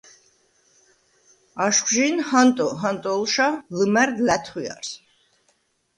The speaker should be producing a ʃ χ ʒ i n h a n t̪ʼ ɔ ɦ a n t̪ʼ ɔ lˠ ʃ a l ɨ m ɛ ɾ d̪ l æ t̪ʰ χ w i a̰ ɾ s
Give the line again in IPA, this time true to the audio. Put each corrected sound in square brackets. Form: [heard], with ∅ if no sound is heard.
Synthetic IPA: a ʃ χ ʒ i n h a n t̪ʼ ɔ ɦ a n t̪ʼ ɔ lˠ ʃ a l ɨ m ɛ ɾ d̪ l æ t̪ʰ χ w i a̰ ɾ s